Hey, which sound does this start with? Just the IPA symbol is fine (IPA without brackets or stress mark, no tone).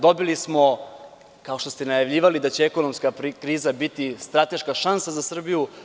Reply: d̪